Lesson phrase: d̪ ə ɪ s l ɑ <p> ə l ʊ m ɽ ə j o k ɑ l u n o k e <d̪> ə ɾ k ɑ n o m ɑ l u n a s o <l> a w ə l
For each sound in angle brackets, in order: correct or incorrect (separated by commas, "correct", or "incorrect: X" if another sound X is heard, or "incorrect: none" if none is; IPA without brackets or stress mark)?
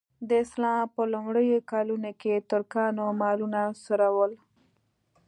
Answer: correct, incorrect: t̪, incorrect: ɾ